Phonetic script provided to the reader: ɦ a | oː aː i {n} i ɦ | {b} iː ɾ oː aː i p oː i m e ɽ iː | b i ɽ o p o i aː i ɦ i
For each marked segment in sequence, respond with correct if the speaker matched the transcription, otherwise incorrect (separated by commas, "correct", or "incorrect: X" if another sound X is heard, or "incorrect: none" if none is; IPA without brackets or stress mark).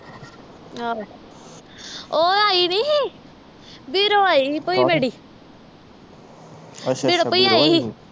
correct, correct